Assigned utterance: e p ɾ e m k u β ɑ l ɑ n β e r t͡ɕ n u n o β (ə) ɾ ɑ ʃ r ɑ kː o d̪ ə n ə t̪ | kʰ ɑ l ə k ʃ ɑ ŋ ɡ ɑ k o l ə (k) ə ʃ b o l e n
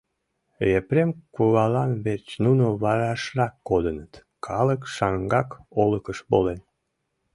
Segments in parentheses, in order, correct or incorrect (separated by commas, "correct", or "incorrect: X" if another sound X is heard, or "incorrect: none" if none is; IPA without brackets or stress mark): incorrect: ɑ, correct